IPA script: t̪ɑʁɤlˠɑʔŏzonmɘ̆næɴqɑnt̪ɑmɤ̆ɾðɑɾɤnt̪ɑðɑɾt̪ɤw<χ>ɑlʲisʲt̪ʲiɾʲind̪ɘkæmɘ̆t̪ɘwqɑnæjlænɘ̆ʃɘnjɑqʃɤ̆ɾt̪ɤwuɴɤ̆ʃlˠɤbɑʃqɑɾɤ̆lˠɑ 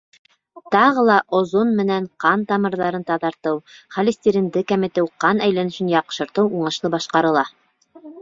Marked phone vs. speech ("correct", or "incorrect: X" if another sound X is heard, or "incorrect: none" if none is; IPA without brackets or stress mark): correct